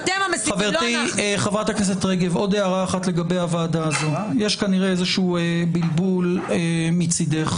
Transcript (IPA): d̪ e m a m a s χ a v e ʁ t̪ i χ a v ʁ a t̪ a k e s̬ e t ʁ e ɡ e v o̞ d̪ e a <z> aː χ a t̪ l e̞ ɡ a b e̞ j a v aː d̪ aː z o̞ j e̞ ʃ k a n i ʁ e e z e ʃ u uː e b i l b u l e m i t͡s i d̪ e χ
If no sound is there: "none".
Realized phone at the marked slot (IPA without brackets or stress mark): ʁ